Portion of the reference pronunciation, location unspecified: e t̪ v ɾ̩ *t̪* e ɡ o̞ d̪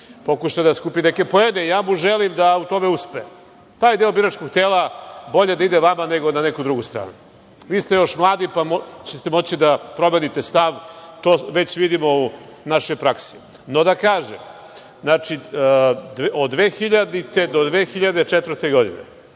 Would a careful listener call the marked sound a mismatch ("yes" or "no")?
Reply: no